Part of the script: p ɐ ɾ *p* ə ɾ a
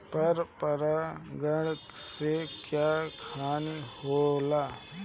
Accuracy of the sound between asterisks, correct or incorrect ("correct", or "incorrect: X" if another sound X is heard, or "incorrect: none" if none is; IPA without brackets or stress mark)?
correct